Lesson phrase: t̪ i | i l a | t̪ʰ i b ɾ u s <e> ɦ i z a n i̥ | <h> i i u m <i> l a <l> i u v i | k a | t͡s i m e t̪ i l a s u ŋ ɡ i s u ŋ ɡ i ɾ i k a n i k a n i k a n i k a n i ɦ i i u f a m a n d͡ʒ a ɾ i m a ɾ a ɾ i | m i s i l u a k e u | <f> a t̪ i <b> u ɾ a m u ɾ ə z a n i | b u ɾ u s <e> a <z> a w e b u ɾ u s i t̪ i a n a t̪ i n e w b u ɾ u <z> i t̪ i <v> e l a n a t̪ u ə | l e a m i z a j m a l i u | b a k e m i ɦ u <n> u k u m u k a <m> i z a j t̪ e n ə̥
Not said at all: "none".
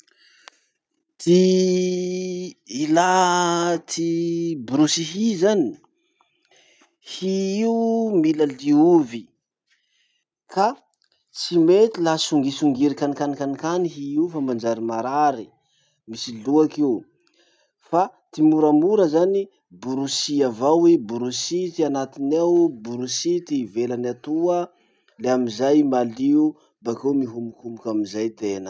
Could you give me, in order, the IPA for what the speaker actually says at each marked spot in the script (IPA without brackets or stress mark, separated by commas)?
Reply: i, h, i, l, f, m, i, v, s, v, m, m